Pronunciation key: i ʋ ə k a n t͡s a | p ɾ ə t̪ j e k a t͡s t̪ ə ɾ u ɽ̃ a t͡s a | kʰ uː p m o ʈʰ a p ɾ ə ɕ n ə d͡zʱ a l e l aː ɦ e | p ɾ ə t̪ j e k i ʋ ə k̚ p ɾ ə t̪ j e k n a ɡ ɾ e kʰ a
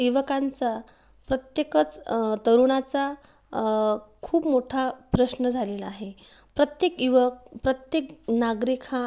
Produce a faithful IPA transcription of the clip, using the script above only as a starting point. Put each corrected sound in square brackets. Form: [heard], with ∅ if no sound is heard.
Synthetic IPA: i ʋ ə k a n t͡s a | p ɾ ə t̪ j e k [ə] t͡s t̪ ə ɾ u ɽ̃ a t͡s a | kʰ uː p m o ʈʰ a p ɾ ə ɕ n ə d͡zʱ a l e l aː ɦ e | p ɾ ə t̪ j e k i ʋ ə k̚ p ɾ ə t̪ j e k n a ɡ ɾ [i] kʰ a